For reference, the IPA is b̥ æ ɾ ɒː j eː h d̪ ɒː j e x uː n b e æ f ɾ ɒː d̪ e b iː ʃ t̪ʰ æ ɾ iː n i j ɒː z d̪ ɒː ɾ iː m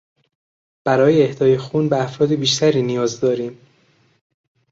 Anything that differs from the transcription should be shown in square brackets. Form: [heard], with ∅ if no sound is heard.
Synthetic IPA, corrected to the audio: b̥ æ ɾ ɒː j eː h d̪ ɒː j e x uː n b e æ f ɾ ɒː d̪ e b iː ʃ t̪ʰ æ ɾ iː n i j ɒː z d̪ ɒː ɾ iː m